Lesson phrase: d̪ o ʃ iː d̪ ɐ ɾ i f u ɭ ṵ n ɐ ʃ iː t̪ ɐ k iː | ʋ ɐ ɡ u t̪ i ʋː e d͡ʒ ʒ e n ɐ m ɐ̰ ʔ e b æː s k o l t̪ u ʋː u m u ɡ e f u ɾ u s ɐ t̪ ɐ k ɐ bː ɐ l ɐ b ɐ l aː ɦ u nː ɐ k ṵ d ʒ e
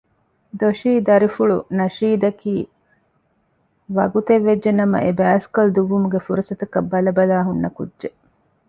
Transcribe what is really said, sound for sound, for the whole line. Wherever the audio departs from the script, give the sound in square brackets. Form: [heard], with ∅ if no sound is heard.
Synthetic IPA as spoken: d̪ o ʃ iː d̪ ɐ ɾ i f u ɭ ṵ n ɐ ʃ iː [d̪] ɐ k iː | ʋ ɐ ɡ u t̪ [e] ʋː e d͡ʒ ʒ e n ɐ m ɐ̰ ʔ e b æː s k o l [d̪] u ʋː u m u ɡ e f u ɾ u s ɐ t̪ ɐ k ɐ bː ɐ l ɐ b ɐ l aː ɦ u nː ɐ k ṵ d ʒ e